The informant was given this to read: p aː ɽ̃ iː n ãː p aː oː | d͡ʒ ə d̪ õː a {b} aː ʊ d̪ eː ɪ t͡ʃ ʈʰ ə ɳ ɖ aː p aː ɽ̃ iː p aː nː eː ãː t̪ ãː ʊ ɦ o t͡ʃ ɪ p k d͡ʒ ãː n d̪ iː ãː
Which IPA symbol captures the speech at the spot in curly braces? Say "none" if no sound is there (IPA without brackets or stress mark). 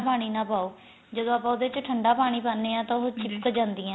p